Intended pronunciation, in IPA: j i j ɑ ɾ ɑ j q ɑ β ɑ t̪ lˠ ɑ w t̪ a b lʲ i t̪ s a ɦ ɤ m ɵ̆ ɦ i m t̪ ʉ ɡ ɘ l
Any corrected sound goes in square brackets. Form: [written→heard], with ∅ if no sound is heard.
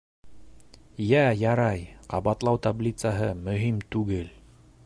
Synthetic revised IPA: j [i→æ] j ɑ ɾ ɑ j q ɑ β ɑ t̪ lˠ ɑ w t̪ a b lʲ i t̪ s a ɦ ɤ m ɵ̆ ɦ i m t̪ ʉ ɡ ɘ l